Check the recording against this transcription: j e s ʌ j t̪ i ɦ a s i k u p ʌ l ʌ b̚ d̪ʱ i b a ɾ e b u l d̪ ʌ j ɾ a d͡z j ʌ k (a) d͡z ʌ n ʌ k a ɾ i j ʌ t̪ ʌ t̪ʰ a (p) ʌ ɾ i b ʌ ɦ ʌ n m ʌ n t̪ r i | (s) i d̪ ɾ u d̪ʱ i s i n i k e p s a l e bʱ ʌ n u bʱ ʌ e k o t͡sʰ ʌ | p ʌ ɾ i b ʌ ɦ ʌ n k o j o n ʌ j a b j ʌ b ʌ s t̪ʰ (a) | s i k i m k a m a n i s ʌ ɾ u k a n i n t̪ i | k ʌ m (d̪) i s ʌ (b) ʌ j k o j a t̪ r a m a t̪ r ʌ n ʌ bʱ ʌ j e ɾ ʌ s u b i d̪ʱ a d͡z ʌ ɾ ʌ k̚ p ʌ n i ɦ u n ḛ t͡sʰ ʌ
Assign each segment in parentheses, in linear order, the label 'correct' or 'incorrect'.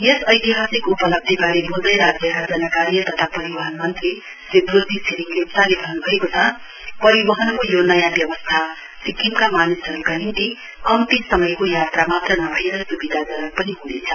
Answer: correct, correct, correct, correct, incorrect, incorrect

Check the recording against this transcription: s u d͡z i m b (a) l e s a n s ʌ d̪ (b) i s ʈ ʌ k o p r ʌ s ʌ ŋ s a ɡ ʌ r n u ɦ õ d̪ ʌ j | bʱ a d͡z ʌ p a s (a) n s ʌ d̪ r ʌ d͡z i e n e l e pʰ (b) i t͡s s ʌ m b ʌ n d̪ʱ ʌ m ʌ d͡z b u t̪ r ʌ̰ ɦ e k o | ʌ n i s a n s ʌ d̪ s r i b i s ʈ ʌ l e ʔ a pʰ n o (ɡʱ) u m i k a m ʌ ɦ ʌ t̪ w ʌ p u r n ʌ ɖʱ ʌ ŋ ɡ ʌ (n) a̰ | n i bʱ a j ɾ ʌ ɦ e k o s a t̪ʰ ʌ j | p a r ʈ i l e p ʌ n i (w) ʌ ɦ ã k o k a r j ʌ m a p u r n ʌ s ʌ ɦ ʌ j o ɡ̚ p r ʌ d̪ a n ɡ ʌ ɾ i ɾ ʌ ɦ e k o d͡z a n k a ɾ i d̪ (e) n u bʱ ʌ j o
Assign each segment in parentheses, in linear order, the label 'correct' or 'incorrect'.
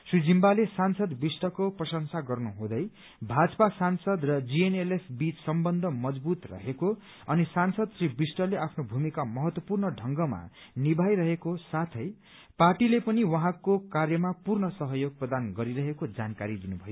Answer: correct, correct, correct, correct, incorrect, incorrect, correct, incorrect

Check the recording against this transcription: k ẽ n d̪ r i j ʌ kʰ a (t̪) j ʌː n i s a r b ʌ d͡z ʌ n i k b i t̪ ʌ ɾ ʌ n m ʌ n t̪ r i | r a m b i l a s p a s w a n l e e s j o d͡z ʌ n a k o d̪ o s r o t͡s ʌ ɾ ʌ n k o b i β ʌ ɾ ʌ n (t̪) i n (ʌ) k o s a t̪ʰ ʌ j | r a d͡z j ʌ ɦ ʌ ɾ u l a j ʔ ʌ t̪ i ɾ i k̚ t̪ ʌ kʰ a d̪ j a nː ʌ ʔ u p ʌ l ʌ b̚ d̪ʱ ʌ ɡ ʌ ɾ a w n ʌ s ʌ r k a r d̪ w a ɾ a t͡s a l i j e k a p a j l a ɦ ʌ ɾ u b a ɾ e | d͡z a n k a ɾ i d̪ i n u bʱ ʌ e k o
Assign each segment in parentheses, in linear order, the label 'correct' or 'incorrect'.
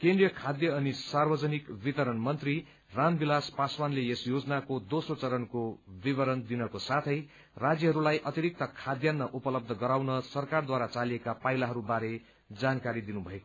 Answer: incorrect, incorrect, correct

